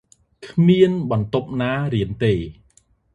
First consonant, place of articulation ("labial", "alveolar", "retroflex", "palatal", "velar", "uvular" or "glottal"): velar